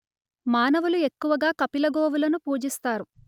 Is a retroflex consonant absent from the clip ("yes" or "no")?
yes